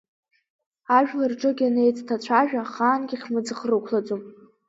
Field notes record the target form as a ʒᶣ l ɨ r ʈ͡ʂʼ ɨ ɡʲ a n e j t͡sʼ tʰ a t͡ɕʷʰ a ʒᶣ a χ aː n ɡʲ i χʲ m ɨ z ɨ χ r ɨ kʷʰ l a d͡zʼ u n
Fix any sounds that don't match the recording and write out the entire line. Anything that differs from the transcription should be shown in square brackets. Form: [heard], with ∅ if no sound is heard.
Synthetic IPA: a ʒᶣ l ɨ r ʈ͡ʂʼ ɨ ɡʲ a n e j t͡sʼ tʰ a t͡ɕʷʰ a ʒᶣ a χ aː n ɡʲ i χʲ m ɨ [d͡z] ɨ χ r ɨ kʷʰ l a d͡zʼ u [m]